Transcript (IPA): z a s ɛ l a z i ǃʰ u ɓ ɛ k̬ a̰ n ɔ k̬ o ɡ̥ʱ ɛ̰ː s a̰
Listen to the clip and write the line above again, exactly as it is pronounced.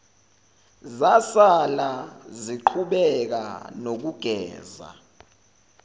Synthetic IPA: z a s a l a z i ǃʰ u ɓ ɛ k̬ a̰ n o k̬ u ɡ̥ʱ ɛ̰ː z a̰